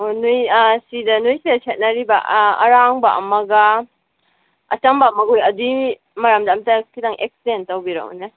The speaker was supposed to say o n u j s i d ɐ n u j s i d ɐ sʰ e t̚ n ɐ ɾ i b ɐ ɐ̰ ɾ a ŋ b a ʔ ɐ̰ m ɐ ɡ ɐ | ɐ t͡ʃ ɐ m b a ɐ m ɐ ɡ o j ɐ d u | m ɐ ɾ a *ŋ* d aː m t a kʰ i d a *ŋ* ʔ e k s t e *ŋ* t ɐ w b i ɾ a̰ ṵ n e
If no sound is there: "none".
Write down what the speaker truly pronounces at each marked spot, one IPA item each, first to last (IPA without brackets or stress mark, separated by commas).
m, ŋ, n